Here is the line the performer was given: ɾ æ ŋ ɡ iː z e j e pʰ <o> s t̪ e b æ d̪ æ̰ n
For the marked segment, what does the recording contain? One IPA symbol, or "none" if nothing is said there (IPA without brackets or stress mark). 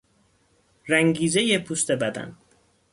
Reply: u